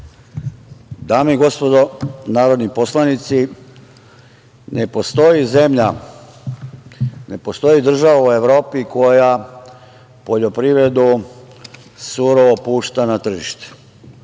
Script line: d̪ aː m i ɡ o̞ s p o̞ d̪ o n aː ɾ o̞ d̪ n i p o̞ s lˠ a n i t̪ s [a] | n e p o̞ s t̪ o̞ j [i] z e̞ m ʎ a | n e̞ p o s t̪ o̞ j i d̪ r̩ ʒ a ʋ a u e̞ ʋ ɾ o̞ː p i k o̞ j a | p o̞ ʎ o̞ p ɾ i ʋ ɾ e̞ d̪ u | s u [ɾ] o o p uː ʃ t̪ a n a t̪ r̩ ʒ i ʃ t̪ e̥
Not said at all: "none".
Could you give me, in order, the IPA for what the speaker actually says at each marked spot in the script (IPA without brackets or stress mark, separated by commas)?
i, i, ɾ